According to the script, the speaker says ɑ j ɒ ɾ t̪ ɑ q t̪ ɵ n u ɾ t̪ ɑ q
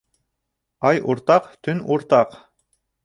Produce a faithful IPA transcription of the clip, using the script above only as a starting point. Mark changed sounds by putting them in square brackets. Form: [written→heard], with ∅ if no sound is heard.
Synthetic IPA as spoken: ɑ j [ɒ→u] ɾ t̪ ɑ q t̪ ɵ n u ɾ t̪ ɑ q